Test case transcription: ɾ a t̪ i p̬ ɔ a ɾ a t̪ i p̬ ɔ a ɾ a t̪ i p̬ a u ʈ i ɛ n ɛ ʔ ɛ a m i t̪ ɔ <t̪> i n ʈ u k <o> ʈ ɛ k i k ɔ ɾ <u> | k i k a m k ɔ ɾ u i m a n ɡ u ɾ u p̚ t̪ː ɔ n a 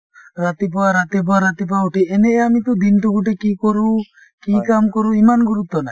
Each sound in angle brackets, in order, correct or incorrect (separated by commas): incorrect, incorrect, correct